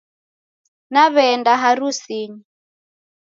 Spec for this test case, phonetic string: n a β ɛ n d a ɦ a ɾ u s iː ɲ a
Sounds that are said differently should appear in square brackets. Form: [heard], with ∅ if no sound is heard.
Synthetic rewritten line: n a β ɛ n d a ɦ a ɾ u s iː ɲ [i]